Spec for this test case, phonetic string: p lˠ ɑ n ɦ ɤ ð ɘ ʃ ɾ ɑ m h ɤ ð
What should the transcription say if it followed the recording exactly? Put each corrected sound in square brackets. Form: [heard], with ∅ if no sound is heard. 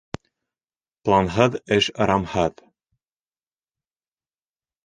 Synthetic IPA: p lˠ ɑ n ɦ ɤ ð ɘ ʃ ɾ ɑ m h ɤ ð

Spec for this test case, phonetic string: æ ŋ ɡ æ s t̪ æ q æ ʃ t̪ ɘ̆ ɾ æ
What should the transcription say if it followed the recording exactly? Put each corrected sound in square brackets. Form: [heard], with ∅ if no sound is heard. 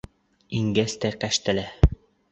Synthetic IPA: [i] ŋ ɡ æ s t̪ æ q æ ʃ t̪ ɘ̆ [l] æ

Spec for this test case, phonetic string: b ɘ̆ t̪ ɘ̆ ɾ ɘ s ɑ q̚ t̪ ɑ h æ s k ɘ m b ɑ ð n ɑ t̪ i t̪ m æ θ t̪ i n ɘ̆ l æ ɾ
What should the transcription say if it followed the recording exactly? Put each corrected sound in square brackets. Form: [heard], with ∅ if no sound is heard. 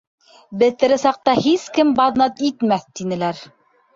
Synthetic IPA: b ɘ̆ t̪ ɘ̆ ɾ ɘ s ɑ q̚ t̪ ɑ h [i] s k ɘ m b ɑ ð n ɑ t̪ i t̪ m æ θ t̪ i n ɘ̆ l æ ɾ

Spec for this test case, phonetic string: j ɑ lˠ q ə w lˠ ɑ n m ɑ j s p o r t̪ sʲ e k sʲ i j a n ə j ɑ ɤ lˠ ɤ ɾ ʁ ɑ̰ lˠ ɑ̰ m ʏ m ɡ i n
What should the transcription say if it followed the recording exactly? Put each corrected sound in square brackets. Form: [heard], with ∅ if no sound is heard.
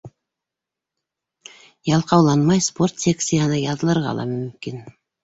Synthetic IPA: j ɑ lˠ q [ɑ] w lˠ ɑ n m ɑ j s p o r t̪ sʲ e k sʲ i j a n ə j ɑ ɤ lˠ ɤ ɾ ʁ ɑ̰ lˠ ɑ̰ m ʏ m [k] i n

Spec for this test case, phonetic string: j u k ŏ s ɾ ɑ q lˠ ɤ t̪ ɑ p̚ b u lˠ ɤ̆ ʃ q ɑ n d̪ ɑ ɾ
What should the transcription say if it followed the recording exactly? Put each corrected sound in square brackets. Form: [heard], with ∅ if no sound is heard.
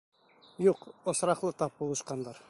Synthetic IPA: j u [q] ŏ s ɾ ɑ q lˠ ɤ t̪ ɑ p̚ b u lˠ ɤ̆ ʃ q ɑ n d̪ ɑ ɾ

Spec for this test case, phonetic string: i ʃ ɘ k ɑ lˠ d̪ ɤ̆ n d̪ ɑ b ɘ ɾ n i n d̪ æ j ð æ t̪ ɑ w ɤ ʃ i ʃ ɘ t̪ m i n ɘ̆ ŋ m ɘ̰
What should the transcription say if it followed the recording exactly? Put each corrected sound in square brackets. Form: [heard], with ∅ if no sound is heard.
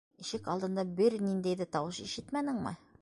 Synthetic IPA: i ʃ ɘ k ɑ lˠ d̪ ɤ̆ n d̪ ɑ b ɘ ɾ n i n d̪ æ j ð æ t̪ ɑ w ɤ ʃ i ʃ ɘ t̪ m [æ] n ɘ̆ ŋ m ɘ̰

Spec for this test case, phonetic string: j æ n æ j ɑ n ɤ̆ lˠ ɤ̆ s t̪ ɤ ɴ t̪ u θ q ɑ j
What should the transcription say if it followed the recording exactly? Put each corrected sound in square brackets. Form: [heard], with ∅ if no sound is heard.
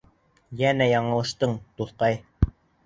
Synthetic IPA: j æ n æ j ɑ [ɴ] ɤ̆ lˠ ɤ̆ [ʃ] t̪ ɤ ɴ t̪ u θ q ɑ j

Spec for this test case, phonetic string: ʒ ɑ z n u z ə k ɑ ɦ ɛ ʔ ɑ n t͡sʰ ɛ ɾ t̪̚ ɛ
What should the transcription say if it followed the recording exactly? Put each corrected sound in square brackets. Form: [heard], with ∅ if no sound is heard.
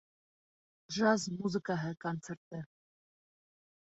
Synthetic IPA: ʒ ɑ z [m] u z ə k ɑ ɦ ɛ [k] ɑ n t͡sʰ ɛ ɾ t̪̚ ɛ

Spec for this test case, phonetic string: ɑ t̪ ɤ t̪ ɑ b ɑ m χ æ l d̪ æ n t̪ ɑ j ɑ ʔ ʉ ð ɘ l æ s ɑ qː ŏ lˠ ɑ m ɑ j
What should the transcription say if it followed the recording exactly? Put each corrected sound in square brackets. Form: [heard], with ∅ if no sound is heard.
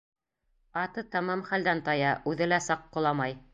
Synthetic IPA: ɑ t̪ ɤ t̪ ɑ [m] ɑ m χ æ l d̪ æ n t̪ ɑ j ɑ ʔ ʉ ð ɘ l æ s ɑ qː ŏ lˠ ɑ m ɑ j

